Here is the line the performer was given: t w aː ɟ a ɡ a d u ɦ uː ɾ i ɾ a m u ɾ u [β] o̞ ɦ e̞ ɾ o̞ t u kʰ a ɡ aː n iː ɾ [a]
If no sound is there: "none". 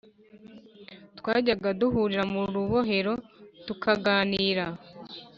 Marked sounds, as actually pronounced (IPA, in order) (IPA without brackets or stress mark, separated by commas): β, a